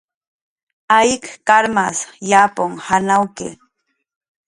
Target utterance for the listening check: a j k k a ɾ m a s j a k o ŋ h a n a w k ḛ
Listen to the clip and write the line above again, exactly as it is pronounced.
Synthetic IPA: a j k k a ɾ m a s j a p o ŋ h a n a w k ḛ